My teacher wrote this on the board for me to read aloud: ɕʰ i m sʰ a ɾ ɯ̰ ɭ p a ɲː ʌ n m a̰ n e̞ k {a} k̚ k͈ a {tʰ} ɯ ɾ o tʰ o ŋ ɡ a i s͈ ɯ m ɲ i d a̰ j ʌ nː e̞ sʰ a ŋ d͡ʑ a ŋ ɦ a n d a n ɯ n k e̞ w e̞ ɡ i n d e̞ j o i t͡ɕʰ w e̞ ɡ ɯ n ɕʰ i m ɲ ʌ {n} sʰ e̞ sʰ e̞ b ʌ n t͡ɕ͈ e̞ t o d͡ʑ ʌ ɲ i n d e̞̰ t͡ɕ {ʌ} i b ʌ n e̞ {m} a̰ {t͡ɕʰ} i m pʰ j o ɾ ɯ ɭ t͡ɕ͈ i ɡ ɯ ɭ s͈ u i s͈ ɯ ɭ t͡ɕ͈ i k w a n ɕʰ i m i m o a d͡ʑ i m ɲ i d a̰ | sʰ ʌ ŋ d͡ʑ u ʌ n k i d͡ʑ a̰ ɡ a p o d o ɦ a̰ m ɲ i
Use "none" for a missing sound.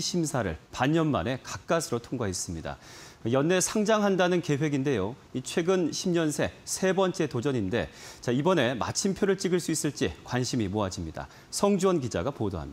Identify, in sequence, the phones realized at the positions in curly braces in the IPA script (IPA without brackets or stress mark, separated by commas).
a, sʰ, n, a, m, t͡ɕʰ